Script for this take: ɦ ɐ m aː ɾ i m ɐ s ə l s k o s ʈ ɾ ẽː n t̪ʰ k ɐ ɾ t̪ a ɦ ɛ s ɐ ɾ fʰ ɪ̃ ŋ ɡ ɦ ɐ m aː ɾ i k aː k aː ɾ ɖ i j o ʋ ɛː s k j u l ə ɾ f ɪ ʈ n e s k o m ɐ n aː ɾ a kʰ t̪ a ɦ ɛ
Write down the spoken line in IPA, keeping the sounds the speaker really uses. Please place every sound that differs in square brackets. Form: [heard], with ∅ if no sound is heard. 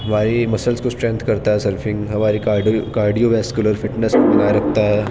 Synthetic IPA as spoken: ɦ ɐ m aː ɾ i m ɐ s ə l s k o s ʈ ɾ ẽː n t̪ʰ k ɐ ɾ t̪ a ɦ ɛ s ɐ ɾ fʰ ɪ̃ ŋ ɡ ɦ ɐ m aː ɾ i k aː k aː ɾ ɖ i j o ʋ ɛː s k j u l ə ɾ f ɪ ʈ n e s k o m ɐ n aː ɾ [ɐ] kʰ t̪ a ɦ ɛ